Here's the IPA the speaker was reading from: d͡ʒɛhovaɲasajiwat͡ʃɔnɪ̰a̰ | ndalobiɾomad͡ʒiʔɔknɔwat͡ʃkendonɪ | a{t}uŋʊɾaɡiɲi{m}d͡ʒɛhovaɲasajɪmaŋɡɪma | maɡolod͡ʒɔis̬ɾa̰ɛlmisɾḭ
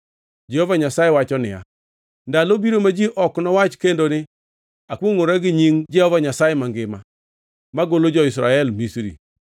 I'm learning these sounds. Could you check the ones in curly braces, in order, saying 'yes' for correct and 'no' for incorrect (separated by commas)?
no, no